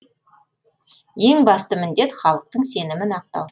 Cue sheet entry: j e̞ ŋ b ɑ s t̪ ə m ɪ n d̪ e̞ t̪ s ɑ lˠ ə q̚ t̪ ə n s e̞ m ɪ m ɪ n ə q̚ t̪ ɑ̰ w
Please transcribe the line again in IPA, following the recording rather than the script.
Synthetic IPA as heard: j e̞ ŋ b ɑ s t̪ ə m ɪ n d̪ e̞ t̪ χ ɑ lˠ ə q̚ t̪ ə ɴ s e̞ n ɪ m ɪ n ɑ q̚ t̪ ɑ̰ w